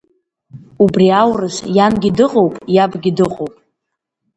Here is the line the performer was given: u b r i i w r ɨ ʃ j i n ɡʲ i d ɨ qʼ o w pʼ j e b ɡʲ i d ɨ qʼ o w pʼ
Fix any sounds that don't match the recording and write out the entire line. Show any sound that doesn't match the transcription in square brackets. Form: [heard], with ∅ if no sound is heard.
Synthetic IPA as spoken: u b r i [a] w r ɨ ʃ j [a] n ɡʲ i d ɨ qʼ o w pʼ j [a] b ɡʲ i d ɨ qʼ o w pʼ